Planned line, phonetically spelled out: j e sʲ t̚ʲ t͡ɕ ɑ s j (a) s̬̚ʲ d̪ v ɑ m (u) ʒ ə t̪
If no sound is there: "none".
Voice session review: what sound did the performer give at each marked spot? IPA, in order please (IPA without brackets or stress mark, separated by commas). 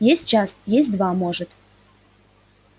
e, o